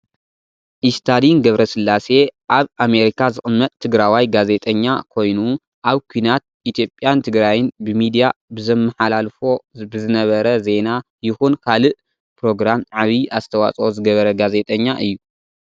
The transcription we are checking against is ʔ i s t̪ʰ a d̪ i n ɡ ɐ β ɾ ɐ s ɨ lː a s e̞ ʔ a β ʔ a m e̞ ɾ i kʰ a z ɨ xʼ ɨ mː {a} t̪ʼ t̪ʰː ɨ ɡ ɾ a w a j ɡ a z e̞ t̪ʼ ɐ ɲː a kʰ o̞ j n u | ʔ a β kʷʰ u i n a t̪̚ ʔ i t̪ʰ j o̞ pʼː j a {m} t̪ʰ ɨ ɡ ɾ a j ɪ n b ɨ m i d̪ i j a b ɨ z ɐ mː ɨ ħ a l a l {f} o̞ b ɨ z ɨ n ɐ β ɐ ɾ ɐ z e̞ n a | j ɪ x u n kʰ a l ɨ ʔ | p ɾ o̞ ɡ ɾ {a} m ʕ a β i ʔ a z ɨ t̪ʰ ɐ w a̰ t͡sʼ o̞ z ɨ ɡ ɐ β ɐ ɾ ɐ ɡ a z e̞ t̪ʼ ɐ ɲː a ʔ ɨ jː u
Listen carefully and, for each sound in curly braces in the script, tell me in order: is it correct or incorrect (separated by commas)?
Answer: incorrect, incorrect, correct, correct